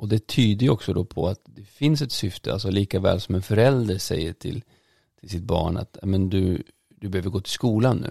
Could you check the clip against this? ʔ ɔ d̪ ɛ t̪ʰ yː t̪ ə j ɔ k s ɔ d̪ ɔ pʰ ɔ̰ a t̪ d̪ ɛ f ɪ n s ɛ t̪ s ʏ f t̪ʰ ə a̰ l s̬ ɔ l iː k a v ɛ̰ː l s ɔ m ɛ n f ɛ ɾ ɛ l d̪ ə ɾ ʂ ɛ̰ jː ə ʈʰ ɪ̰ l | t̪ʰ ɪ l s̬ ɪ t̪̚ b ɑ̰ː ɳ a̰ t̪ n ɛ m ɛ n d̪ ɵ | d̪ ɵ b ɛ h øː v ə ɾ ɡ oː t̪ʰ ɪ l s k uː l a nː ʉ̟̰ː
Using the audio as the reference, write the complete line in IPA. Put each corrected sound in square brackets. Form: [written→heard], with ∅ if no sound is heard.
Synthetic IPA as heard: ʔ ɔ d̪ ɛ t̪ʰ yː [t̪→d̪] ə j ɔ k s ɔ d̪ ɔ pʰ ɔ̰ a t̪ d̪ ɛ f ɪ n s ɛ t̪ s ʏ f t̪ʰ ə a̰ l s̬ ɔ l iː k a v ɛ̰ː l s ɔ m ɛ n f [ɛ→œ] ɾ ɛ l d̪ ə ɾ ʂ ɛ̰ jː ə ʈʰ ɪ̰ l | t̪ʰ ɪ l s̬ ɪ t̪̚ b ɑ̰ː ɳ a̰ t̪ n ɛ m ɛ n d̪ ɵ | d̪ ɵ b ɛ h øː v ə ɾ ɡ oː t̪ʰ ɪ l s k uː l a nː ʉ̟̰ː